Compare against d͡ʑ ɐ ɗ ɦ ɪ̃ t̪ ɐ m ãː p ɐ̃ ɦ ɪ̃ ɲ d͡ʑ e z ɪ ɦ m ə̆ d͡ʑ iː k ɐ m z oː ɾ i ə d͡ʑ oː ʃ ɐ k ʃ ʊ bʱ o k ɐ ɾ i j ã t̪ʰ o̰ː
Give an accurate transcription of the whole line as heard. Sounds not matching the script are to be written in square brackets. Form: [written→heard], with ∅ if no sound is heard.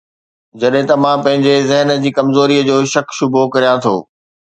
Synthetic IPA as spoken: d͡ʑ ɐ ɗ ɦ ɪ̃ t̪ ɐ m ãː p ɐ̃ ɦ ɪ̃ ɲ d͡ʑ e z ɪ ɦ [m→n] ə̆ d͡ʑ iː k ɐ m z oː ɾ i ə d͡ʑ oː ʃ ɐ k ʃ ʊ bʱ o k ɐ ɾ i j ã t̪ʰ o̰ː